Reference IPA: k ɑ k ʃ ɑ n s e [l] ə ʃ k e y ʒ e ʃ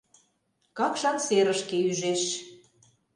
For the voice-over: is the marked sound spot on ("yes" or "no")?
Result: no